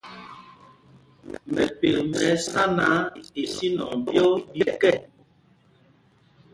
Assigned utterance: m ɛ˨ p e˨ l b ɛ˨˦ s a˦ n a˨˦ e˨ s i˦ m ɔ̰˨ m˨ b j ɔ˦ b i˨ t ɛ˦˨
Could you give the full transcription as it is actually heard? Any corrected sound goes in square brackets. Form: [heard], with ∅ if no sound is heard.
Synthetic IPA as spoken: m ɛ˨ p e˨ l [m] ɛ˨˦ s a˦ n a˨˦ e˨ s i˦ [n] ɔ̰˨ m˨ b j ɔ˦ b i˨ [k] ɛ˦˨